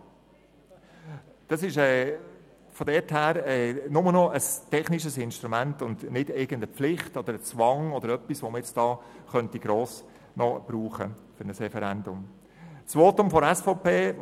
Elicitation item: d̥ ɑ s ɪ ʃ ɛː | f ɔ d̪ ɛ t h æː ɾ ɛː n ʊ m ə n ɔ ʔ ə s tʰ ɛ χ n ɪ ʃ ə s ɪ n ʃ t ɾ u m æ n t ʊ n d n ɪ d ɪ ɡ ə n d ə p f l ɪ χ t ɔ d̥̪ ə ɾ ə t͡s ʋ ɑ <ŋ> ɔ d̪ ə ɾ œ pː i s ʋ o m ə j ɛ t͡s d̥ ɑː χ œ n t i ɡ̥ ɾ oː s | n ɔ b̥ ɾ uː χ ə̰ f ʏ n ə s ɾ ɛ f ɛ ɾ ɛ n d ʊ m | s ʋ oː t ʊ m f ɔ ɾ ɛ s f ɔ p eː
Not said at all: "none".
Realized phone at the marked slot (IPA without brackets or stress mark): ŋ